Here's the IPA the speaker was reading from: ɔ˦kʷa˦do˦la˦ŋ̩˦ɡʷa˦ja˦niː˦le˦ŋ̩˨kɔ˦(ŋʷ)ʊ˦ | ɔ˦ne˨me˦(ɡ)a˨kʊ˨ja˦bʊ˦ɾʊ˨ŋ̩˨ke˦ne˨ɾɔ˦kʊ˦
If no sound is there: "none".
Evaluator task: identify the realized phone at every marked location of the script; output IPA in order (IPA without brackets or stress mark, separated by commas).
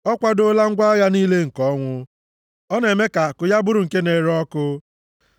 ŋʷ, k